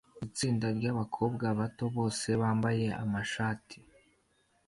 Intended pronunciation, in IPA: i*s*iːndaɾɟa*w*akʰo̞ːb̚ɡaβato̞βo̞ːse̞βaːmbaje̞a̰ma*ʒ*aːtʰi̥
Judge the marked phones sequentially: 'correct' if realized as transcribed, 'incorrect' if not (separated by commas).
incorrect, incorrect, incorrect